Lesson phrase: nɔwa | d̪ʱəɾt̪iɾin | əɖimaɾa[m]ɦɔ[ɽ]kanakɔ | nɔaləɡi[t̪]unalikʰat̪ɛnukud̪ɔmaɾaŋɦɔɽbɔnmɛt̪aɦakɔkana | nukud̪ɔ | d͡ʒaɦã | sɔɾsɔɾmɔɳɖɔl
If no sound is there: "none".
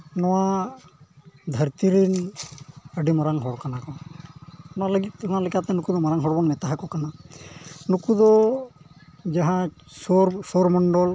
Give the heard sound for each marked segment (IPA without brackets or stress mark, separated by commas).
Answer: ŋ, ɽ, t̪